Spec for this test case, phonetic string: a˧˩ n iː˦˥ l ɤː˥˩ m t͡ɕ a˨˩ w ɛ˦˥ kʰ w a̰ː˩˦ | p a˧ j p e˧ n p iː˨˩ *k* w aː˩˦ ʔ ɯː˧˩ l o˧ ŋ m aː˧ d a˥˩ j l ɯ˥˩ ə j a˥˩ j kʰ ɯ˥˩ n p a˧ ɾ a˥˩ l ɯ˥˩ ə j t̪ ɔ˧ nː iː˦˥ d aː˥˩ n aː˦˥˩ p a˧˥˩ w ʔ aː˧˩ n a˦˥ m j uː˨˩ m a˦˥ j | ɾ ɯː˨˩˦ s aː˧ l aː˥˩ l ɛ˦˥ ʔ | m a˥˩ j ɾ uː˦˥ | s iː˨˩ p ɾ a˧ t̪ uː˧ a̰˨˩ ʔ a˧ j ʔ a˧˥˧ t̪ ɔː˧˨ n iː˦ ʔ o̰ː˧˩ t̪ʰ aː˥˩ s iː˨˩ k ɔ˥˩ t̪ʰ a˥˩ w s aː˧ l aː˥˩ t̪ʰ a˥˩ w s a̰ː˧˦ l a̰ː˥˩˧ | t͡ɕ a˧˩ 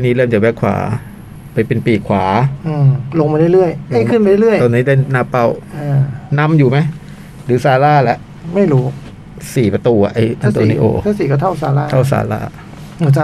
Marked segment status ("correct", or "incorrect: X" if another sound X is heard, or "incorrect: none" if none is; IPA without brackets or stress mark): incorrect: kʰ